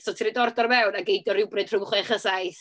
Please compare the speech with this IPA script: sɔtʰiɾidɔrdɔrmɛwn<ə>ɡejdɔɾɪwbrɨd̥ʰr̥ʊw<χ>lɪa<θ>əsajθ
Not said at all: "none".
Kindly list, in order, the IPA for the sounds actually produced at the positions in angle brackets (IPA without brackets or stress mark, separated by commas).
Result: a, χ, χ